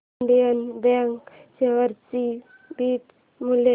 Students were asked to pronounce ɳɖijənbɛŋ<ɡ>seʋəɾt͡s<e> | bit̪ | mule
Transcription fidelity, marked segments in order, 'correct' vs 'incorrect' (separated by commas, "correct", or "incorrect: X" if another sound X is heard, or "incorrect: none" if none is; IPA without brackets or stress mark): incorrect: k, incorrect: i